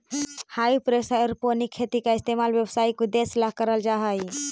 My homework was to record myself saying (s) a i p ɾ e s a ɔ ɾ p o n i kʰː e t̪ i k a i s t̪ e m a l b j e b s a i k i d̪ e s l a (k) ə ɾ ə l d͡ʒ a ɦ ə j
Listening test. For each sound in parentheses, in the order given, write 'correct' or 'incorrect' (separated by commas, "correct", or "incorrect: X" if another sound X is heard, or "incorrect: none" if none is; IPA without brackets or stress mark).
incorrect: h, correct